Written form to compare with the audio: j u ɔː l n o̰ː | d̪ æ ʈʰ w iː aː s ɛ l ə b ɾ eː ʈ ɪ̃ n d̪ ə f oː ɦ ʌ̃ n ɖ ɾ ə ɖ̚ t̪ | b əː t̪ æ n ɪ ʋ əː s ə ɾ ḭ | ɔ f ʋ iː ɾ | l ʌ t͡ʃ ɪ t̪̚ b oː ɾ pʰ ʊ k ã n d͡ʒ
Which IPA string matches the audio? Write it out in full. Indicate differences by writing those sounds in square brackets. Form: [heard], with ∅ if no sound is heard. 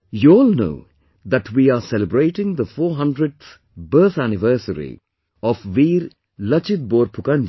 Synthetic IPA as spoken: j u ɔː l n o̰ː | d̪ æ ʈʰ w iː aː s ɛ l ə b ɾ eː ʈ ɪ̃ [ŋ] d̪ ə f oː ɦ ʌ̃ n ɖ ɾ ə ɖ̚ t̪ | b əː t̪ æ n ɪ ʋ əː s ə ɾ ḭ | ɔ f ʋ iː ɾ | l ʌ t͡ʃ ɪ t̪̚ b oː ɾ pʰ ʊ k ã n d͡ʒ